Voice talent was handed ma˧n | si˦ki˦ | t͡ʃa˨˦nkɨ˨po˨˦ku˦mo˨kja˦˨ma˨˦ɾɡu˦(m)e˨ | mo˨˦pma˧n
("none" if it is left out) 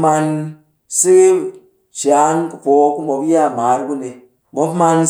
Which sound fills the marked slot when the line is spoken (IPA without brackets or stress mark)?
n